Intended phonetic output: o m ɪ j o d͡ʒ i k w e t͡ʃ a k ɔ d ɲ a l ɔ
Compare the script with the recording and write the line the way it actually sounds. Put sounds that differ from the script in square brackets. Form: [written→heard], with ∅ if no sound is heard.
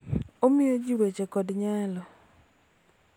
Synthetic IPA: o m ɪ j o d͡ʒ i [k→∅] w e t͡ʃ [a→e] k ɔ d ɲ a l ɔ